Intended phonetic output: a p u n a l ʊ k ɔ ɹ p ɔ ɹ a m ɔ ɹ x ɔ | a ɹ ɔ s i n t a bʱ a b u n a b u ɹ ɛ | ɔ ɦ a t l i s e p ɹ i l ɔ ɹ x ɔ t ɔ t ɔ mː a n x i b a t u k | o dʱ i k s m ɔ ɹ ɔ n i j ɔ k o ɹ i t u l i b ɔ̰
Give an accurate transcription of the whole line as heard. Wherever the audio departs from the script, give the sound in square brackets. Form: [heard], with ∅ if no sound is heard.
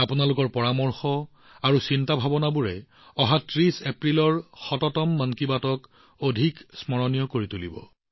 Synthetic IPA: a p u n a l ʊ k ɔ ɹ p ɔ ɹ a m ɔ ɹ x ɔ | a ɹ [u] s i n t a bʱ a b [ɔ] n a b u ɹ ɛ | ɔ ɦ a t [ɹ] i s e p ɹ i l ɔ ɹ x ɔ t ɔ t ɔ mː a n [k] i b a t [ɔ] k | o dʱ i k s m ɔ ɹ ɔ n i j ɔ k o ɹ i t u l i b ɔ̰